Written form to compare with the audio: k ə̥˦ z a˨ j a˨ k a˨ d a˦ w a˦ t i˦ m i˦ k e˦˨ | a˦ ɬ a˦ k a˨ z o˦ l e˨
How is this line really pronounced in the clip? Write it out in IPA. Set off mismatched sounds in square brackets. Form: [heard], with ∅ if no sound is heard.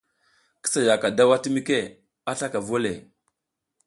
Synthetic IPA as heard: k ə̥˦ [s] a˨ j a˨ k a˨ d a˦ w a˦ t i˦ m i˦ k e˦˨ | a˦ ɬ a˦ k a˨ [v] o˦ l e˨